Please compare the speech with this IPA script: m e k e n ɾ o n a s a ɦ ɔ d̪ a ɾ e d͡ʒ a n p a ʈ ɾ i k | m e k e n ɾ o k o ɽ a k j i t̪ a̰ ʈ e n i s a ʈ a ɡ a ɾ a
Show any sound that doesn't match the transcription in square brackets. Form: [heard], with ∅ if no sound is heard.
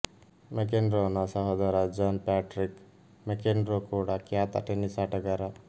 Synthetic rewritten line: m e k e n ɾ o n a s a ɦ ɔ d̪ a ɾ [a] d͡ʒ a n p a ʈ ɾ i k | m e k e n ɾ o k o ɽ a k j [a] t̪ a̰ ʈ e n i s a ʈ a ɡ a ɾ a